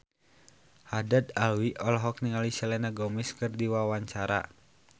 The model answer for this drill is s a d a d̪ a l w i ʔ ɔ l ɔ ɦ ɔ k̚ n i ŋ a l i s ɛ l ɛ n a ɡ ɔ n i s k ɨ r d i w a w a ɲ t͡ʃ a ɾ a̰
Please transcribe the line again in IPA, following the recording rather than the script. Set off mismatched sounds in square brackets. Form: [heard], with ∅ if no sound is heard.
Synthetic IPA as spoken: [h] a d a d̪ a l w i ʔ ɔ l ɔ ɦ ɔ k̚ n i ŋ a l i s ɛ l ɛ n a ɡ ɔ [m] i s k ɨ r d i w a w a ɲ t͡ʃ a ɾ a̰